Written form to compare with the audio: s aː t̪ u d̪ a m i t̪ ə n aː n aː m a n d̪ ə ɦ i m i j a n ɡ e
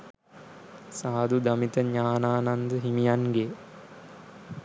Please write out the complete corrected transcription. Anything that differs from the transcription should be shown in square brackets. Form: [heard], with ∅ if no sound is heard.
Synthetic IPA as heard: s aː [d̪] u d̪ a m i t̪ ə [ɲ] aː n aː [n] a n d̪ ə ɦ i m i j a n ɡ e